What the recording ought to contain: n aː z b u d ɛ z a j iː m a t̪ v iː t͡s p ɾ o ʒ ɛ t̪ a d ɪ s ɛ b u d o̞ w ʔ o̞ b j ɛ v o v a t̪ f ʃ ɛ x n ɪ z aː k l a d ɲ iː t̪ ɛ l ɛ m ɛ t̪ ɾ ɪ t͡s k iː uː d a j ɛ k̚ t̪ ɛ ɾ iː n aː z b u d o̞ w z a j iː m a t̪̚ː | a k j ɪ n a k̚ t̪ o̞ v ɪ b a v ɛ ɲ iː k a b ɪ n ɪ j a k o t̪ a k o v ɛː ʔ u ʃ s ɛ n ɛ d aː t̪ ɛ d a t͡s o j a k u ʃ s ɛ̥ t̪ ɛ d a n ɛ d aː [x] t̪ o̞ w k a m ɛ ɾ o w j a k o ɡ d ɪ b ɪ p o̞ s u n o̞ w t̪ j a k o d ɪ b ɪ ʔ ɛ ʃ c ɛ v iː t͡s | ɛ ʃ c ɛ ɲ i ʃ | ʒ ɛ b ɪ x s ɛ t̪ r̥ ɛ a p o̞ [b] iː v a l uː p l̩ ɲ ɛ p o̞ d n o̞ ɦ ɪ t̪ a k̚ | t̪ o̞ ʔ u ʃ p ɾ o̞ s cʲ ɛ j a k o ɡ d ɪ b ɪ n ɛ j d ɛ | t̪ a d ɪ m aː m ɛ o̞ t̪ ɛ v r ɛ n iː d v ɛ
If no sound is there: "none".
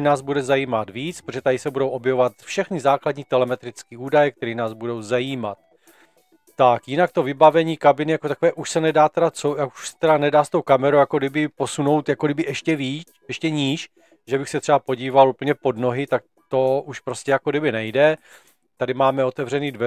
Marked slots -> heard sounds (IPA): s, ɟ

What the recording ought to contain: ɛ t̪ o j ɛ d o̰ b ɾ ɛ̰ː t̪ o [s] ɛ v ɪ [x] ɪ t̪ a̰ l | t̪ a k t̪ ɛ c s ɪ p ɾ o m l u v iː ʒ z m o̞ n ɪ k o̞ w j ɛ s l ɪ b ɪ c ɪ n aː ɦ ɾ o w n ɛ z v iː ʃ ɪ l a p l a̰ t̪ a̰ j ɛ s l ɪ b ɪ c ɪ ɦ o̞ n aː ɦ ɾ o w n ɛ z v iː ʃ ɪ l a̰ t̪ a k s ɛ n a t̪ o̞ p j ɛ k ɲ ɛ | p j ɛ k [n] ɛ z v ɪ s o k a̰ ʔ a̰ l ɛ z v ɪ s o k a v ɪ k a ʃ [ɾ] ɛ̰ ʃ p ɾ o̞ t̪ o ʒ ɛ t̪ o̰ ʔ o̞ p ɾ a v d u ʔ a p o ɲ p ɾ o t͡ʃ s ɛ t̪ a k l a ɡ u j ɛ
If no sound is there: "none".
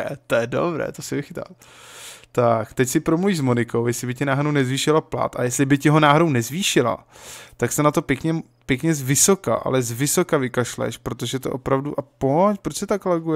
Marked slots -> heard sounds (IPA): s, x, ɲ, l

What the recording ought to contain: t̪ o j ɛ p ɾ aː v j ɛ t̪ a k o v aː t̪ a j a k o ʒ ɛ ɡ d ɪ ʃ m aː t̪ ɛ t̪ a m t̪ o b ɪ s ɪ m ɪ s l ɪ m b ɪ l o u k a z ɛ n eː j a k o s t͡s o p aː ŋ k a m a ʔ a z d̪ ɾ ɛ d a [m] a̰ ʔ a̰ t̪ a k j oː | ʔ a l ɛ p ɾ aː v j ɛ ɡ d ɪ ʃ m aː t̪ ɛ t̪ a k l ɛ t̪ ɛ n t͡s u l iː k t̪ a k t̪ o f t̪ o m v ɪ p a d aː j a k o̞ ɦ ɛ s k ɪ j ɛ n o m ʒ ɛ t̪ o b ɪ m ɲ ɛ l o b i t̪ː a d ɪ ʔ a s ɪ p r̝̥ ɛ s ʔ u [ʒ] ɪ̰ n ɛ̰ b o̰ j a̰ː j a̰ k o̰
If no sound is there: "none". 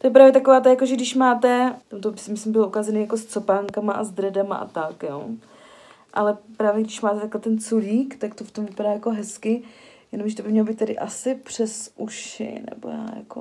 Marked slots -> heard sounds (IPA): m, ʃ

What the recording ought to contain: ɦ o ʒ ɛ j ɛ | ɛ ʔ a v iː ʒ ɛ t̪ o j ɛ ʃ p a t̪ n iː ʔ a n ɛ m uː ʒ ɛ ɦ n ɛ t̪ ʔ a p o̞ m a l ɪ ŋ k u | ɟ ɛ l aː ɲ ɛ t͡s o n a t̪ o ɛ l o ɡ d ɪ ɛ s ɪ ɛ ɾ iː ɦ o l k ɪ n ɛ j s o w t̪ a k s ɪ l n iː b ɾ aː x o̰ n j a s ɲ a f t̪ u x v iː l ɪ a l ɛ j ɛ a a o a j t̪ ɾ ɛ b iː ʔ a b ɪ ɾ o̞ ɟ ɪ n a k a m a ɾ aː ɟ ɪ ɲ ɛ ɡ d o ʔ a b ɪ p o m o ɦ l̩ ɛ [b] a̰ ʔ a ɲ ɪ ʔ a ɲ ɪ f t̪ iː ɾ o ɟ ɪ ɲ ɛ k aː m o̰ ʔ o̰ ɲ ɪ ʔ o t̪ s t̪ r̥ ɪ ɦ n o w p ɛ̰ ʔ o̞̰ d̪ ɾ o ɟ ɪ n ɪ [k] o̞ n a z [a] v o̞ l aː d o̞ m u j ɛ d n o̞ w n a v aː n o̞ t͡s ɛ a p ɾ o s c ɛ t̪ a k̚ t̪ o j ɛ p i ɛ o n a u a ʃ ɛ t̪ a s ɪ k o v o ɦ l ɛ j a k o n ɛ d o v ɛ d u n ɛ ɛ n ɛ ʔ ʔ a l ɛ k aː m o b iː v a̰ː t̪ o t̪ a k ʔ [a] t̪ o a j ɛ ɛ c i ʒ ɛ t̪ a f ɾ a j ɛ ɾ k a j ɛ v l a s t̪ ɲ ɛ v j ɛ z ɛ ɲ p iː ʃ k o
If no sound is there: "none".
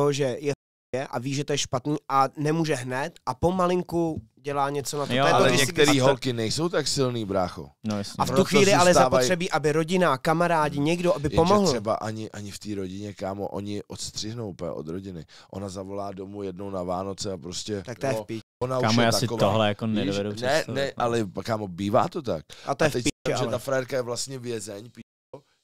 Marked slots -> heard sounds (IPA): b, ʔ, a, a

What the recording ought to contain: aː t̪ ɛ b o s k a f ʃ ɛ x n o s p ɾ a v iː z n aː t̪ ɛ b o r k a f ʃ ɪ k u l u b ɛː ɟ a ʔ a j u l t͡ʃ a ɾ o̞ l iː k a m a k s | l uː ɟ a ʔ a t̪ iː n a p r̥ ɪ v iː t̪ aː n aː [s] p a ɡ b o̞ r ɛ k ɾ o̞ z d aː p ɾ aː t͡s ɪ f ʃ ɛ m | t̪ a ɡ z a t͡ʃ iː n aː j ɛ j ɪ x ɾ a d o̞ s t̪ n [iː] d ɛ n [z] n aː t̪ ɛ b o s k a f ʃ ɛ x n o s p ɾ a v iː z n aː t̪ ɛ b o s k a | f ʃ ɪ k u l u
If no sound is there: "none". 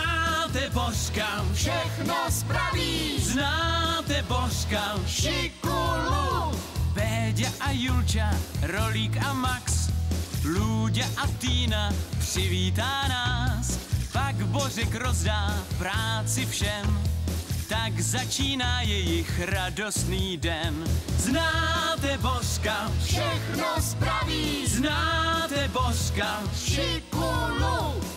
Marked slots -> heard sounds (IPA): s, iː, z

